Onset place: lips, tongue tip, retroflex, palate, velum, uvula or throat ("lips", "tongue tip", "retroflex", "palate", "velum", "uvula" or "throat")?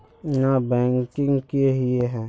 tongue tip